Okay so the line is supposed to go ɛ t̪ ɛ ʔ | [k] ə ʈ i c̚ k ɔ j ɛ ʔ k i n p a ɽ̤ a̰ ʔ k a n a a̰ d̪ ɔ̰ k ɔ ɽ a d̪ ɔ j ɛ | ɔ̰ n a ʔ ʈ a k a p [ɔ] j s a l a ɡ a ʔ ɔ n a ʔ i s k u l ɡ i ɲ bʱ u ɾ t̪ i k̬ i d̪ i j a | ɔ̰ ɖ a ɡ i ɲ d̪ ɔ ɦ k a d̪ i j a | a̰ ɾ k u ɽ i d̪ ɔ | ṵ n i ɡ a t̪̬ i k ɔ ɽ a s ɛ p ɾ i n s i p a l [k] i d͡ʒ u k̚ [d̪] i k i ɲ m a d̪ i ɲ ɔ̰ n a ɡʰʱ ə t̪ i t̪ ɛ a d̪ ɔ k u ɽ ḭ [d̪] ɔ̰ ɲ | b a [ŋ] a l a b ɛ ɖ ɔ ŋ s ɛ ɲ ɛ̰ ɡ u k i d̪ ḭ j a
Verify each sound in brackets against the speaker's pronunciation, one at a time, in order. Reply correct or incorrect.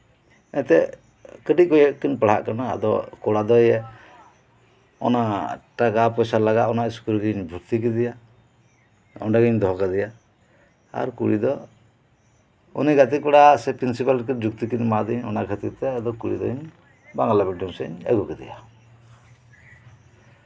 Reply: correct, correct, correct, incorrect, correct, correct

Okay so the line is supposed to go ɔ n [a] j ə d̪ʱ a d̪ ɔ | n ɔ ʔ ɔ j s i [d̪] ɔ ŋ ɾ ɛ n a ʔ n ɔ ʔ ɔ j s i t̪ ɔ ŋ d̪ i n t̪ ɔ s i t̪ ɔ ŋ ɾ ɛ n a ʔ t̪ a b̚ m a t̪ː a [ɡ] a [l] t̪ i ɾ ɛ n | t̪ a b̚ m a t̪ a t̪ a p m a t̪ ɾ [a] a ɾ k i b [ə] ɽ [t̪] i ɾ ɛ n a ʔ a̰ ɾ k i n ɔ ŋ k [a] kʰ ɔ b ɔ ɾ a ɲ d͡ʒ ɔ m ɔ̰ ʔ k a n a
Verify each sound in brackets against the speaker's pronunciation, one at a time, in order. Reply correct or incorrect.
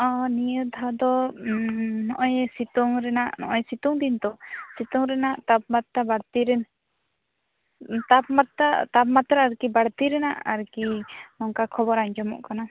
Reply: incorrect, incorrect, incorrect, incorrect, correct, incorrect, correct, correct

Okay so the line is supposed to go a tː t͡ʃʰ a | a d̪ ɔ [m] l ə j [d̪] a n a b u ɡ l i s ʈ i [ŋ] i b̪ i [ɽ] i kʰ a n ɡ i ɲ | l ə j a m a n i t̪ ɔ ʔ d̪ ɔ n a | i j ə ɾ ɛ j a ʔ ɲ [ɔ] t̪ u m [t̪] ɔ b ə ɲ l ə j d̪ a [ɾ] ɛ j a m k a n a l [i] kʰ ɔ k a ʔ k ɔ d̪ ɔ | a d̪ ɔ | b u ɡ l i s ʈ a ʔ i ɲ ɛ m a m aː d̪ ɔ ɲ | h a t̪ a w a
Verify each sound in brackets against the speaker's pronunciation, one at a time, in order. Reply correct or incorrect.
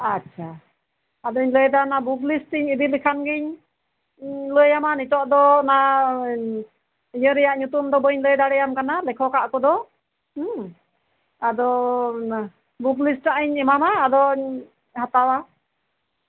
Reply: incorrect, correct, incorrect, incorrect, incorrect, incorrect, incorrect, incorrect

